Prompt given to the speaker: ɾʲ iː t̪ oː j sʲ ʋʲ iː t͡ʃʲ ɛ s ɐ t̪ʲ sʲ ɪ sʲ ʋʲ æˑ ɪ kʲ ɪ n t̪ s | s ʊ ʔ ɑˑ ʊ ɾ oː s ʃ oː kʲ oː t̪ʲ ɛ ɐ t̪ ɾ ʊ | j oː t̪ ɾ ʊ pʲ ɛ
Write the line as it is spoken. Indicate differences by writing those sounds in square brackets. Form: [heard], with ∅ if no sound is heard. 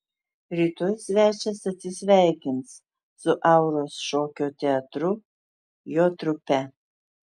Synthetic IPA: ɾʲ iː t̪ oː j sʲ ʋʲ [æː] t͡ʃʲ ɛ s ɐ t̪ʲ sʲ ɪ sʲ ʋʲ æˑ ɪ kʲ ɪ n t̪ s | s ʊ ʔ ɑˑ ʊ ɾ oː s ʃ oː kʲ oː t̪ʲ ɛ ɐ t̪ ɾ ʊ | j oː t̪ ɾ ʊ pʲ ɛ